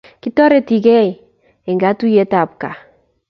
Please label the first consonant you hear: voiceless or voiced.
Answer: voiceless